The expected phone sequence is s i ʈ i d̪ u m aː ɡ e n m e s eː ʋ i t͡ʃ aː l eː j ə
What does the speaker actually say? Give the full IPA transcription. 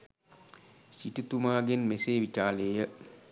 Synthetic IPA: s i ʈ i t̪ u m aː ɡ e n m e s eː ʋ i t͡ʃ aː l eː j ə